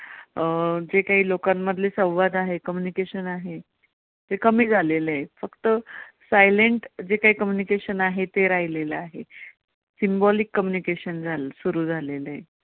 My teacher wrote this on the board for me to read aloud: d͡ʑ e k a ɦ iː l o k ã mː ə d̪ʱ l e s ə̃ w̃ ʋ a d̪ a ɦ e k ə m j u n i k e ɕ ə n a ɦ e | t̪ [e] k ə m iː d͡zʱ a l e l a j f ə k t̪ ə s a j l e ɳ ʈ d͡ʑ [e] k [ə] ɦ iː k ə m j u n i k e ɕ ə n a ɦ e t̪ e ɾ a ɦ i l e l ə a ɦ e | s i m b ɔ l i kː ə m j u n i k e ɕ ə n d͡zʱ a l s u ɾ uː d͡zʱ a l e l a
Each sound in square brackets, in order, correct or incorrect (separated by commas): correct, correct, incorrect